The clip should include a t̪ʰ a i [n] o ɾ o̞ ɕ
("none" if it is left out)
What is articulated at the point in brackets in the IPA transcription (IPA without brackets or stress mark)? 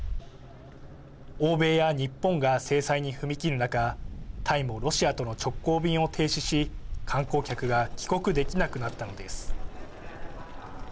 m